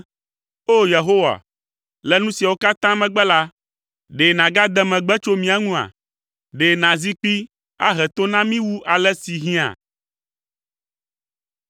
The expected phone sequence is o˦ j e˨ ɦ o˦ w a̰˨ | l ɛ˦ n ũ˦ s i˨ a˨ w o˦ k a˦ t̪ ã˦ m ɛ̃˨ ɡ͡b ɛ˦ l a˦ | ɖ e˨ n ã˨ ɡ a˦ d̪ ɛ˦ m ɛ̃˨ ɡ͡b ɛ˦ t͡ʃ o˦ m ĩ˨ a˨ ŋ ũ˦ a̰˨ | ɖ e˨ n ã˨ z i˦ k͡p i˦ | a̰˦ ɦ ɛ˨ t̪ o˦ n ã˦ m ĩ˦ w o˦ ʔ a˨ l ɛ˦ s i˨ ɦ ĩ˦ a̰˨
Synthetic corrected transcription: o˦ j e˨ ɦ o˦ w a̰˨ | l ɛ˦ n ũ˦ s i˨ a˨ w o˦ k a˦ t̪ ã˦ m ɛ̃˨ ɡ͡b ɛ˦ l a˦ | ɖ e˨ n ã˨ ɡ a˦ d̪ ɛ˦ m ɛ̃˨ ɡ͡b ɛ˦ t͡ʃ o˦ m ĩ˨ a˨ ŋ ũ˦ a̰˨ | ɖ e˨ n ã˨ z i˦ k͡p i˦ | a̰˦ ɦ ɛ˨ t̪ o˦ n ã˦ m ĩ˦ w u˦ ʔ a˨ l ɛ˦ s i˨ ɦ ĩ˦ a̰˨